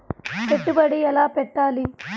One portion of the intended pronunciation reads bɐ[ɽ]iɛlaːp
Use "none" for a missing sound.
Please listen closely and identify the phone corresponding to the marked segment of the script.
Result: ɽ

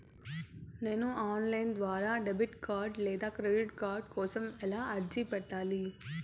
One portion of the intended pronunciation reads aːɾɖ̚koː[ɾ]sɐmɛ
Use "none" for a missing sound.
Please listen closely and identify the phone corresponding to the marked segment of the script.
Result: none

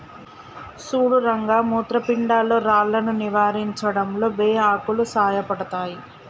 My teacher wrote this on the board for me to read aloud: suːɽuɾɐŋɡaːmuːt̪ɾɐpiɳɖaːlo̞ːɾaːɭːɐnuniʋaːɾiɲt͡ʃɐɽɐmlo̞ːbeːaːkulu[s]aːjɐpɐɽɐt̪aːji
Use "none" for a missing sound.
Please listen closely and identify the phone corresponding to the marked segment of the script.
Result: s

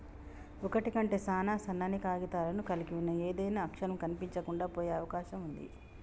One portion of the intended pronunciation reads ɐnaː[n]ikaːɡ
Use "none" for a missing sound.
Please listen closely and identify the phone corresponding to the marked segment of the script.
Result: n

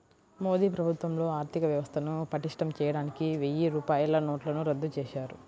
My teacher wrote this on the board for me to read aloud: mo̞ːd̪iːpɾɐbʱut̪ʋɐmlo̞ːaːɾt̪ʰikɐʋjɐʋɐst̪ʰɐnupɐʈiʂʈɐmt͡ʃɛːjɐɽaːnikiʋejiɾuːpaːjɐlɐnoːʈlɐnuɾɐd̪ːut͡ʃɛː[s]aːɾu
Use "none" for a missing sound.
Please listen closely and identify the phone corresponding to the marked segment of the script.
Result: ʃ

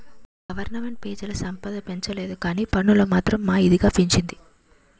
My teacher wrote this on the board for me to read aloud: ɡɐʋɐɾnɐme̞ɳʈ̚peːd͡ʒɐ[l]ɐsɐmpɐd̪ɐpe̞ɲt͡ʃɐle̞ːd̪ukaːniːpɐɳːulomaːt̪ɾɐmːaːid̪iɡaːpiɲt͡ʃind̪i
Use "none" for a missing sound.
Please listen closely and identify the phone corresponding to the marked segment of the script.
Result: l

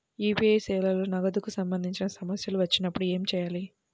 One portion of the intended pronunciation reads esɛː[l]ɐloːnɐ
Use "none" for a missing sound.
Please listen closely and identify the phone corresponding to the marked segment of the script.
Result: l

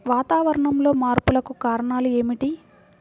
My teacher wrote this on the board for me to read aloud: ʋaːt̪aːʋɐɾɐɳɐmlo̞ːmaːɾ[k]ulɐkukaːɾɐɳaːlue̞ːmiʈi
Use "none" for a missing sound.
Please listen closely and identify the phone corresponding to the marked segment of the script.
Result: p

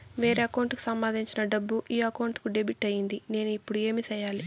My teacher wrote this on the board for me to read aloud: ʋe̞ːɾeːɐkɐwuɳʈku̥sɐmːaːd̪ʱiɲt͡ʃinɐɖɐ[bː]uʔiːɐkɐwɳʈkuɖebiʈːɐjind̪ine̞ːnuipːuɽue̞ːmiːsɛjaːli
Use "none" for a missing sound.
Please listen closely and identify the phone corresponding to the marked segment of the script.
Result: bː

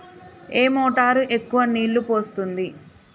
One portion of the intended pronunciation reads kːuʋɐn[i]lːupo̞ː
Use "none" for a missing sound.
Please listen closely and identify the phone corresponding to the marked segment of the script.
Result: iː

